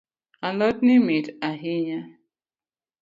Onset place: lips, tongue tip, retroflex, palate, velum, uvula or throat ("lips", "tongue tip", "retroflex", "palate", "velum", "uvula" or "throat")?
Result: tongue tip